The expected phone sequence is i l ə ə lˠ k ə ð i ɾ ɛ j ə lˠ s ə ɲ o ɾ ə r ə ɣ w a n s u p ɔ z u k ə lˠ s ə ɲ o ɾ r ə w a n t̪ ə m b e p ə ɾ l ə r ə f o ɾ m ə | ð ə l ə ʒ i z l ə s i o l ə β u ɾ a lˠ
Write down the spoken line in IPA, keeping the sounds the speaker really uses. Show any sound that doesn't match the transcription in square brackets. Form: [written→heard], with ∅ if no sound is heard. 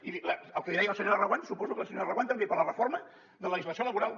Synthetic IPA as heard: i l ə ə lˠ k ə ð i ɾ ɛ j ə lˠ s ə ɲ o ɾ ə r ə ɣ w a n s u p ɔ z u k ə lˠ s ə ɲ o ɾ r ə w a n t̪ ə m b e p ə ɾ l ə r ə f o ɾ m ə | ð ə l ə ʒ i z l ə s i o l ə β u ɾ a lˠ